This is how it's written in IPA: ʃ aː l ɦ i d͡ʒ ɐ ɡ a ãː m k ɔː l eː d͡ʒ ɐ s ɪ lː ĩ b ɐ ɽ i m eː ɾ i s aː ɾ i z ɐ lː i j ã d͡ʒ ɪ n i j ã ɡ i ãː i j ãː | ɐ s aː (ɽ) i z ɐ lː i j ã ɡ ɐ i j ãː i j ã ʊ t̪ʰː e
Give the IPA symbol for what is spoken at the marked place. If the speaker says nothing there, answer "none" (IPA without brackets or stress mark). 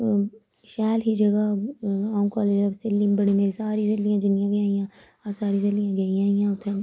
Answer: ɾ